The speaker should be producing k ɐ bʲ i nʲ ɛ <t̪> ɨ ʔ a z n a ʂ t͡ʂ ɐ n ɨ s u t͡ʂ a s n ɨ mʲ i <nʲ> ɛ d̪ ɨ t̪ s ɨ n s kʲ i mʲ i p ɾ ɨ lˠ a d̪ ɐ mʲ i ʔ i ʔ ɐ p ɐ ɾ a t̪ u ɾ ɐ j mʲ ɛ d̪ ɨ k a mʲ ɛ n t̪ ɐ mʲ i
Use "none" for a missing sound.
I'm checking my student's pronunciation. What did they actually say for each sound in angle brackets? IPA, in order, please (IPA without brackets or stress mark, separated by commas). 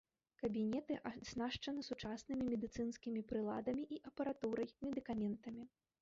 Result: t̪, mʲ